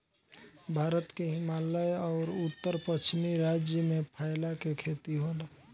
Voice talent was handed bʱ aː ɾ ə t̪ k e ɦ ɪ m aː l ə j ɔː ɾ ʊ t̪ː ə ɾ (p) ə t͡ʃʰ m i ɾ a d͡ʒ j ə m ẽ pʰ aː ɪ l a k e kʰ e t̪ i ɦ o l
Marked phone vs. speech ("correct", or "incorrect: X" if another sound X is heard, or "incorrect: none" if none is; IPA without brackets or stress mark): correct